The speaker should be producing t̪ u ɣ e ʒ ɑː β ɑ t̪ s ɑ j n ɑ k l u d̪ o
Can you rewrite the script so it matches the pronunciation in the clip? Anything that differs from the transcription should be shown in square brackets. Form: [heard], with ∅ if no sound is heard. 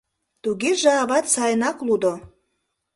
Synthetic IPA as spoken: t̪ u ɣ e ʒ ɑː β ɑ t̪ s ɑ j n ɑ k l u d̪ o

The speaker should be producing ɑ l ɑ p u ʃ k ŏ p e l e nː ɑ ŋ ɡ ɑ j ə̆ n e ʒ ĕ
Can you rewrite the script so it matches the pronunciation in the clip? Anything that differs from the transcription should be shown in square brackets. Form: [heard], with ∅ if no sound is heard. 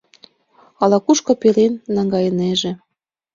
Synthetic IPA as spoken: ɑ l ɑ [k] u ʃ k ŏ p e l e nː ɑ ŋ ɡ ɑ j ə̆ n e ʒ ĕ

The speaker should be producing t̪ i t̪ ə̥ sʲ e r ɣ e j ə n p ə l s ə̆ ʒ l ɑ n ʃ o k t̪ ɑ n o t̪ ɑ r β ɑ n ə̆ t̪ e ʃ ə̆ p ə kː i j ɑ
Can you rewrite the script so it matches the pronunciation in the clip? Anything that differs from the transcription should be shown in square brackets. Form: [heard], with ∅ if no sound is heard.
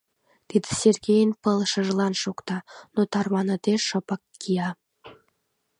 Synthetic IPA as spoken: t̪ i [d̪] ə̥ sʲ e r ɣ e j ə n p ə l [ʃ] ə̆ ʒ l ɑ n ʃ o k t̪ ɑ n o t̪ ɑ r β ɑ n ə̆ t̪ e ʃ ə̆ p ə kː i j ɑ

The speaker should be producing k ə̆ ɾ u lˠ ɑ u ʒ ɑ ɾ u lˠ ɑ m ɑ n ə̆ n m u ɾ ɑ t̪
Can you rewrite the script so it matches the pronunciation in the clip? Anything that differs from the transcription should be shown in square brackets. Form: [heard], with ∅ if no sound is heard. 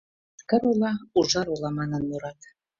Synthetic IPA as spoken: k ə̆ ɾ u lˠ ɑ u ʒ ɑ ɾ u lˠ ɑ m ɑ n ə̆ n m u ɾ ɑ t̪

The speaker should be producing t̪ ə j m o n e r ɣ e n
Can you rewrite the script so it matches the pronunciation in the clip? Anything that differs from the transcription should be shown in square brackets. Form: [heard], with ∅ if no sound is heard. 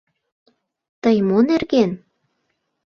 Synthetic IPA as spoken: t̪ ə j m o n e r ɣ e n

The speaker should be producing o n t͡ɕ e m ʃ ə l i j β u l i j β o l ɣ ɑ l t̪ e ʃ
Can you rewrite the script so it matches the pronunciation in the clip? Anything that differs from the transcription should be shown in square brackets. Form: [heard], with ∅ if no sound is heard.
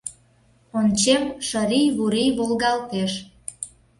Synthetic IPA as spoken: o n t͡ɕ e m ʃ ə [ɾ] i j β u [ɾ] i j β o l ɣ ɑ l t̪ e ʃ

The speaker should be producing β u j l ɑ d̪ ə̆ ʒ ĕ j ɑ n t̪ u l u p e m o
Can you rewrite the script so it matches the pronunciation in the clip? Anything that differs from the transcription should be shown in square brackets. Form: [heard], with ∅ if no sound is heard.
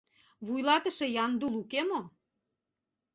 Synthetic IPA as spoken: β u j l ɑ [t̪] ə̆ [ʃ] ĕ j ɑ n [d̪] u l u [k] e m o

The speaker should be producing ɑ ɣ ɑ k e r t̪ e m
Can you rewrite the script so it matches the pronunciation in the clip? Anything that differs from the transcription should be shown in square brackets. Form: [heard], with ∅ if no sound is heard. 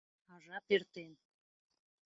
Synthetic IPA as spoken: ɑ [ʒ] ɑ [p] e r t̪ e [n]

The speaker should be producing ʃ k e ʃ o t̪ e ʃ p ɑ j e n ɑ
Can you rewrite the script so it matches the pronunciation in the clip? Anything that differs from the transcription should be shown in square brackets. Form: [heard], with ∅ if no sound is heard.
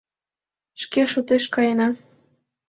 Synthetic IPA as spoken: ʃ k e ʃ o t̪ e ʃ [k] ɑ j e n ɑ

